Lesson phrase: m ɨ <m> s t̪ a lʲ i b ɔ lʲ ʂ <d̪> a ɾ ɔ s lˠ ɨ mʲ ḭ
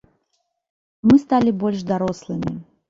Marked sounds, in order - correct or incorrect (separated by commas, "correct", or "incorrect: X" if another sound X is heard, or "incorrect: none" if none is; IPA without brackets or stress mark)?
incorrect: none, correct